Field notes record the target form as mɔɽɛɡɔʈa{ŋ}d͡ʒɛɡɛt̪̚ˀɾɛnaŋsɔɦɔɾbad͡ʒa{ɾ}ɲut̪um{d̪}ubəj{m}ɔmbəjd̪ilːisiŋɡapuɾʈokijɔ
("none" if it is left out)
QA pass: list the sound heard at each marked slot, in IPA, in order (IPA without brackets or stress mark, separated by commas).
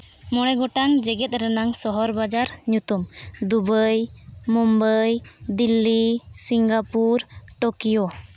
ŋ, ɾ, d̪, m